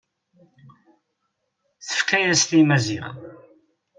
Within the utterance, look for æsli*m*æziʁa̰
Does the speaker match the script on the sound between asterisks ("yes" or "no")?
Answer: yes